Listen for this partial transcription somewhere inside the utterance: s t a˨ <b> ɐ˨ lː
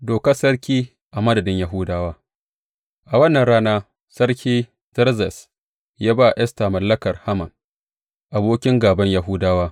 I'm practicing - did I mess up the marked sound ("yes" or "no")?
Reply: yes